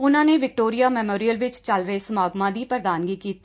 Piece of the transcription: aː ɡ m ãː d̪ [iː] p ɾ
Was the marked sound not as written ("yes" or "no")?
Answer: no